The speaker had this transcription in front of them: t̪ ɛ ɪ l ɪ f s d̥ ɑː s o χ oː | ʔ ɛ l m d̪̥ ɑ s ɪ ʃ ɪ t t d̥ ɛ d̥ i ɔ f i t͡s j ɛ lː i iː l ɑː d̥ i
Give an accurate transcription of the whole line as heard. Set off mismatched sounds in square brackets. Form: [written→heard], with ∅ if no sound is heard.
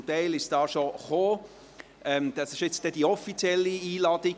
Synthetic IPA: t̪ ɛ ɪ l ɪ [f→ʃ] s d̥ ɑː [s→ʃ] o χ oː | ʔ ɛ [l→∅] m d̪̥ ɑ s ɪ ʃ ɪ [t→t͡s] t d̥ ɛ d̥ i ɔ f i t͡s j ɛ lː i iː l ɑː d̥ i